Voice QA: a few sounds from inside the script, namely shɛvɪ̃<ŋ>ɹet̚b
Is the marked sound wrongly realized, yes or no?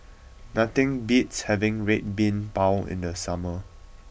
no